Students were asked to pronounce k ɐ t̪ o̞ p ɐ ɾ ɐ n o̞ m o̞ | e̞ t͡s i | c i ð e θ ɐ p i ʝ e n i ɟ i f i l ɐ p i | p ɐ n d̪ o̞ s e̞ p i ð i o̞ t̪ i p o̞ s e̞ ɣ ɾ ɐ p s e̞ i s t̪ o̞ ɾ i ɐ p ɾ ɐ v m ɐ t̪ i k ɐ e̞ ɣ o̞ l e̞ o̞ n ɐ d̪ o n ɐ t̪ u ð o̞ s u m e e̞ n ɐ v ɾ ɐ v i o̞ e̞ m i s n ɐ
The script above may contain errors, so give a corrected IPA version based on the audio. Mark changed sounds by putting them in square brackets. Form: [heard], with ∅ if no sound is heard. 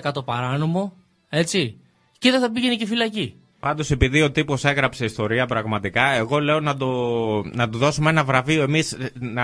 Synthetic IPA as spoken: k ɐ t̪ o̞ p ɐ ɾ ɐ n o̞ m o̞ | e̞ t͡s i | c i ð e θ ɐ p i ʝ e n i [c] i f i l ɐ [c] i | p ɐ n d̪ o̞ s e̞ p i ð i o̞ t̪ i p o̞ s e̞ ɣ ɾ ɐ p s e̞ i s t̪ o̞ ɾ i ɐ p ɾ ɐ [ɣ] m ɐ t̪ i k ɐ e̞ ɣ o̞ l e̞ o̞ n ɐ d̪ o n ɐ t̪ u ð o̞ s u m e e̞ n ɐ v ɾ ɐ v i o̞ e̞ m i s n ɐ